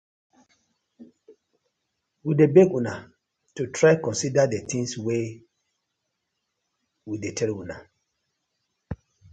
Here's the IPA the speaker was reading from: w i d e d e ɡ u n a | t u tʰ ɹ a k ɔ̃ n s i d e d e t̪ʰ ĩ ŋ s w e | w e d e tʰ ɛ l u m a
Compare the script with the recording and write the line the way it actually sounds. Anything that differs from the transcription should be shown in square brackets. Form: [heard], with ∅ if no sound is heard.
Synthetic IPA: w i d e [b] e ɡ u n a | t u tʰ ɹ a k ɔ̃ n s i d [a] d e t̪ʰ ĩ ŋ s w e | w [i] d e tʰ ɛ l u [n] a